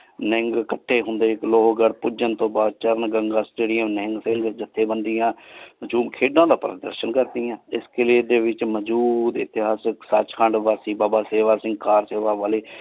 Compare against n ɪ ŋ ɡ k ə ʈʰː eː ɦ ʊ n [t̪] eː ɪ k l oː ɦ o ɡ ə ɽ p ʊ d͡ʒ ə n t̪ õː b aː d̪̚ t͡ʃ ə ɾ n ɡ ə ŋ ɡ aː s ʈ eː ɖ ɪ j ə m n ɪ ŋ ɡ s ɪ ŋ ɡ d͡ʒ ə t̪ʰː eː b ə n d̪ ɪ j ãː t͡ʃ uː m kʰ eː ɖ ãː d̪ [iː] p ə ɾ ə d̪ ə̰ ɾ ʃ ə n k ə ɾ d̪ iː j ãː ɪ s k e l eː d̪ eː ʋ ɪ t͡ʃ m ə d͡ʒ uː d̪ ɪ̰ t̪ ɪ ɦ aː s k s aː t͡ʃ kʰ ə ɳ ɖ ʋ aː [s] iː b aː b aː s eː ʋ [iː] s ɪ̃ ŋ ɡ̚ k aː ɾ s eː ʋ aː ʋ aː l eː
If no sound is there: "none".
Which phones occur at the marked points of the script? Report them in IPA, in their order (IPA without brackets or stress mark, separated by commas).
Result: d̪, aː, s, aː